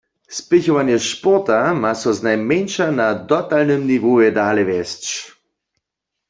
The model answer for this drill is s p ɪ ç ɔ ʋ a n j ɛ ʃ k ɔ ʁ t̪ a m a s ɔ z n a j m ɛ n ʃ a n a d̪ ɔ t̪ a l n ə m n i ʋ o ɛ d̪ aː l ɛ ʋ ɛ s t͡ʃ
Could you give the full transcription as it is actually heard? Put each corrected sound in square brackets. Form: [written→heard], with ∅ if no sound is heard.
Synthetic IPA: s p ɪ ç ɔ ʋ a n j ɛ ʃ [k→p] ɔ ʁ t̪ a m a s ɔ z n a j m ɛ n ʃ a n a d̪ ɔ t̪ a l n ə m n i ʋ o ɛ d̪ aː l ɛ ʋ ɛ s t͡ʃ